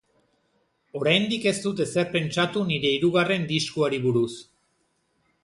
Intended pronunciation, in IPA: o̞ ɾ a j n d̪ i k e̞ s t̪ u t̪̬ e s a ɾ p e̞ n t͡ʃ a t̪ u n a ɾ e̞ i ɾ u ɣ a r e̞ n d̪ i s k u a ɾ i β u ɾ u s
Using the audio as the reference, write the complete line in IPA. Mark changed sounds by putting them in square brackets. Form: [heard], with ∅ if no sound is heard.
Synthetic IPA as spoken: o̞ ɾ a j n d̪ i k e̞ s t̪ u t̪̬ e s [e] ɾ p e̞ n t͡ʃ a t̪ u n [i] ɾ e̞ i ɾ u ɣ a r e̞ n d̪ i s k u a ɾ i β u ɾ u s